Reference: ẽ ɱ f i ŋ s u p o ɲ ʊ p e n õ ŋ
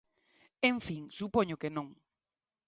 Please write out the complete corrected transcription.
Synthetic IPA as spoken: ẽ ɱ f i ŋ s u p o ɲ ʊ k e n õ ŋ